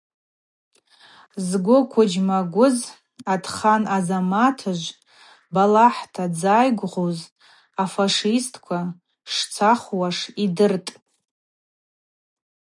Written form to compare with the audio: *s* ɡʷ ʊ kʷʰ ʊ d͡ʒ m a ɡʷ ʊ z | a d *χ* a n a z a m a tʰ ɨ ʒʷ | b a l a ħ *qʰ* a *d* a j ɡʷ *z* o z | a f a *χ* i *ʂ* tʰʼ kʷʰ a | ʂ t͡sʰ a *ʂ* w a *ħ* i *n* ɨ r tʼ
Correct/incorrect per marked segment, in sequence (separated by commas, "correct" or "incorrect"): incorrect, correct, incorrect, incorrect, incorrect, incorrect, incorrect, incorrect, incorrect, incorrect